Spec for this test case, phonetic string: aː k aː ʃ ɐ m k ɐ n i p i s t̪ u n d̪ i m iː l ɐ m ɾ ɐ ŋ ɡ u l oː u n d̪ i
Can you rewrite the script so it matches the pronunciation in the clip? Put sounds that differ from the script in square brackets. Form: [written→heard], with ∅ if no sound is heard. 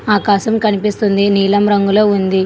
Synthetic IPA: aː k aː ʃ ɐ m k ɐ n i p i s t̪ u n d̪ i [m→n] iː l ɐ m ɾ ɐ ŋ ɡ u l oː u n d̪ i